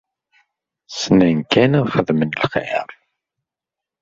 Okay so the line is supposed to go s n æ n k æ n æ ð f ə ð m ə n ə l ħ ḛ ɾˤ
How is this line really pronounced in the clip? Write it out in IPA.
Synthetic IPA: s n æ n k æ n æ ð χ ə ð m ə n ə l χ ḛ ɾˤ